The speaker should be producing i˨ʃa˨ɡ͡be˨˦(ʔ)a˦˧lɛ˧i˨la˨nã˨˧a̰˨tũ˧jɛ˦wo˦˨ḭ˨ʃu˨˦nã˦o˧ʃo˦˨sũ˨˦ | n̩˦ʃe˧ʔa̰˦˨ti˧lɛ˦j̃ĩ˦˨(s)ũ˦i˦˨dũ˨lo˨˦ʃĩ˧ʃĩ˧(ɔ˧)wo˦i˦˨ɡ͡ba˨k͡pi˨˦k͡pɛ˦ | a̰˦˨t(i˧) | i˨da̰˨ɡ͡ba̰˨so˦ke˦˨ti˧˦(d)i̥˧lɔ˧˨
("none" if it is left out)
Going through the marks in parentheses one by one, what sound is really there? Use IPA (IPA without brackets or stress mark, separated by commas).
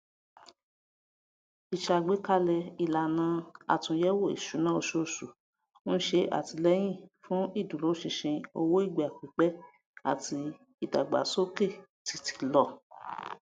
k, f, o˧, i˧, t